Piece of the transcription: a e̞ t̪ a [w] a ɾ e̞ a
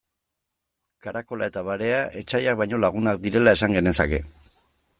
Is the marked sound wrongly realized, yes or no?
yes